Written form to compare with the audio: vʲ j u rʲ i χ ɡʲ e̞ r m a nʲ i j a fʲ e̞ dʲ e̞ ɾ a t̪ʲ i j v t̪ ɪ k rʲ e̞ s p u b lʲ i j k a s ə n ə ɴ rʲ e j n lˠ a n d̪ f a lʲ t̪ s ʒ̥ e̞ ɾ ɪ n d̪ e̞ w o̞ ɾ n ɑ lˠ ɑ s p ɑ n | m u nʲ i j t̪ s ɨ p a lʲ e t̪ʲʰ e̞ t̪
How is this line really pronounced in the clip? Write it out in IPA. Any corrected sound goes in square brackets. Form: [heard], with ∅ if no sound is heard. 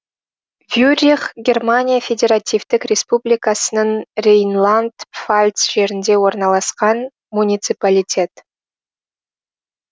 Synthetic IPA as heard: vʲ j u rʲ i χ ɡʲ e̞ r m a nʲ i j a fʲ e̞ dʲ e̞ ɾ a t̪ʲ i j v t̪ ɪ k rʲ e̞ s p u b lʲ i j k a s ə n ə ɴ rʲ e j n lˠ a n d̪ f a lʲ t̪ s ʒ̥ e̞ ɾ ɪ n d̪ e̞ w o̞ ɾ n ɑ lˠ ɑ s [q] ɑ n | m u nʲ i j t̪ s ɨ p a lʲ [i] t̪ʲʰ e̞ t̪